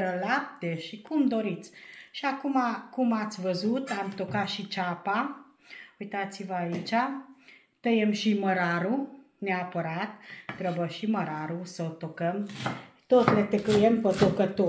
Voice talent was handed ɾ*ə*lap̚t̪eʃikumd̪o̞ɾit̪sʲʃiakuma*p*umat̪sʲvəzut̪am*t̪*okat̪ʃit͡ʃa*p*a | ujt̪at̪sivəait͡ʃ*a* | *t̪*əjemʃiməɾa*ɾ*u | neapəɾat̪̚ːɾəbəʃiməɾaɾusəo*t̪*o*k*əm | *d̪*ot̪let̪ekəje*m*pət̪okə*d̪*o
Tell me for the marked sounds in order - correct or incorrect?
correct, incorrect: k, correct, correct, correct, correct, correct, correct, correct, incorrect: t̪, correct, incorrect: t̪

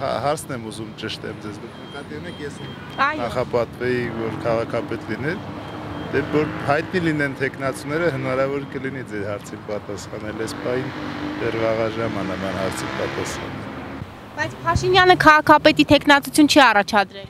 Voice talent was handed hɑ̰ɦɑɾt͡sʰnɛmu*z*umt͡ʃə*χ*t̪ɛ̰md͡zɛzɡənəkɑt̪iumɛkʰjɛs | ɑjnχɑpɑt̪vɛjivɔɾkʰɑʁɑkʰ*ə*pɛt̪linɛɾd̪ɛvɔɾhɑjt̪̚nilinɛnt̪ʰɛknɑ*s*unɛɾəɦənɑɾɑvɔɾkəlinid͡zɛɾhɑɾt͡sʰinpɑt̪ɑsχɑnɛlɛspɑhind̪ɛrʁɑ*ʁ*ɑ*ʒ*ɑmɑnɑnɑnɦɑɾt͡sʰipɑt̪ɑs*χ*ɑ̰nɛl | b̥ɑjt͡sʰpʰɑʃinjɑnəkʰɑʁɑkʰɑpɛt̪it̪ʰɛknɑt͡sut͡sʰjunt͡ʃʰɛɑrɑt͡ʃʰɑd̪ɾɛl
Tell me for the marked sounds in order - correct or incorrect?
correct, incorrect: ʃ, incorrect: ɑ, incorrect: t͡s, correct, correct, correct

